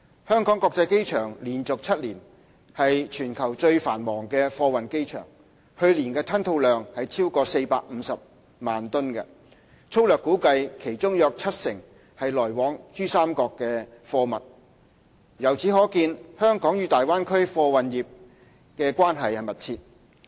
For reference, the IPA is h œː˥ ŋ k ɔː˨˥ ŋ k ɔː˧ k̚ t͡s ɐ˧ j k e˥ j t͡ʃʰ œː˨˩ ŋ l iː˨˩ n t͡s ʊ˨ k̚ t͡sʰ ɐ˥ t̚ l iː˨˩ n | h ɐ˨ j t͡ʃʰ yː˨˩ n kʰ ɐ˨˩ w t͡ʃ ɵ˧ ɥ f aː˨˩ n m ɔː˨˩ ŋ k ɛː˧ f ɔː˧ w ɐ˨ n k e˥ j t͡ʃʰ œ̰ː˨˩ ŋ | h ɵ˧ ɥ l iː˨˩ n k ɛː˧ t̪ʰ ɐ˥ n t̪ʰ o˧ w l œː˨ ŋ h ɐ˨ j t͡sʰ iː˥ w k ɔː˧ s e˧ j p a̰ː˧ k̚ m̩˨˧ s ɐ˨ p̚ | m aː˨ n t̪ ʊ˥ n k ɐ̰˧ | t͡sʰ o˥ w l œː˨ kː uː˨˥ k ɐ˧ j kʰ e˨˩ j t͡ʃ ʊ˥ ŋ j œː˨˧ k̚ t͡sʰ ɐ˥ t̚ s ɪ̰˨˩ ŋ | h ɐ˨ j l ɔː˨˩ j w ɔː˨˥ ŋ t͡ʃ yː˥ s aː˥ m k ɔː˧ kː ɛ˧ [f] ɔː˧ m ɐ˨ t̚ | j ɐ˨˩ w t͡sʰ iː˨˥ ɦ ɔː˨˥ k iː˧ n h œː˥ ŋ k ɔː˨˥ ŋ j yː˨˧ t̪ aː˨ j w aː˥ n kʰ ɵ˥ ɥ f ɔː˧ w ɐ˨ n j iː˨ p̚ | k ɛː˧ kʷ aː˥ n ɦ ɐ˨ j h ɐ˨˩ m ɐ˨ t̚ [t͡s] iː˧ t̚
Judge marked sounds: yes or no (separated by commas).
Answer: yes, no